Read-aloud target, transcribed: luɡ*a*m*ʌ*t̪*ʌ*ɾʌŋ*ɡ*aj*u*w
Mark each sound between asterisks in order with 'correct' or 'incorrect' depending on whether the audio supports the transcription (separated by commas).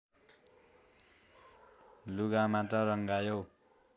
correct, incorrect, correct, correct, incorrect